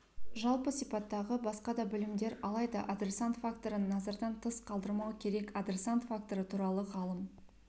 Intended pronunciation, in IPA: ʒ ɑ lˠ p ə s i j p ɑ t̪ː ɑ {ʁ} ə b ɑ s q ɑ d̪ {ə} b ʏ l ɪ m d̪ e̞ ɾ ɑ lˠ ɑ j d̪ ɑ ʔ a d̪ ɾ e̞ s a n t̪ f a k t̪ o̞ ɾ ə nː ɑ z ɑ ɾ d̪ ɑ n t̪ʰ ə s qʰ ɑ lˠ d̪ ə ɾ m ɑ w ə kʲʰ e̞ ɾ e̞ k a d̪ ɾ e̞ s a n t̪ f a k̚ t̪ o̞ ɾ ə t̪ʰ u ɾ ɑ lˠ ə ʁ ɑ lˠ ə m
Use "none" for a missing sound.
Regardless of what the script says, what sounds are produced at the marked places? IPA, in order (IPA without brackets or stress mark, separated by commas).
ʁ, ɑ